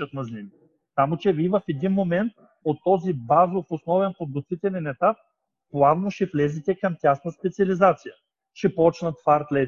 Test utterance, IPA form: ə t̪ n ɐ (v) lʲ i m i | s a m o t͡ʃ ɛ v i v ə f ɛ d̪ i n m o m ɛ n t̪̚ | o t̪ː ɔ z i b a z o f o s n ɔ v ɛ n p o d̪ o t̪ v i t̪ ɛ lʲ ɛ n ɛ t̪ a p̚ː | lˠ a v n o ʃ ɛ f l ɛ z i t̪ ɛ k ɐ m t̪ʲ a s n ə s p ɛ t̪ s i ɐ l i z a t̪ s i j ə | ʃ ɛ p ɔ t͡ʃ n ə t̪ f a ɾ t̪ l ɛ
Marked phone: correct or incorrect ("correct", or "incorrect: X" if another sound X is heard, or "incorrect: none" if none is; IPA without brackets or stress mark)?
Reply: incorrect: z